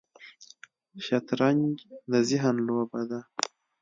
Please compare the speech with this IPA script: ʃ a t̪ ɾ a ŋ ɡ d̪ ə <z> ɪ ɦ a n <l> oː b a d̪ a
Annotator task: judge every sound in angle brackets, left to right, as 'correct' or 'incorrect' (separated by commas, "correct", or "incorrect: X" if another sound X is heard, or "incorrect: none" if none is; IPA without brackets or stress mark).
correct, correct